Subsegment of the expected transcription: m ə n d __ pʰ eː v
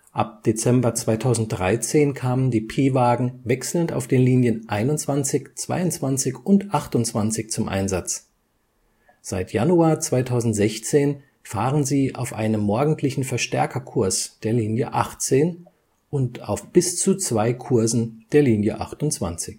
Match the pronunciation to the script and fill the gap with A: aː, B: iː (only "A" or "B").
B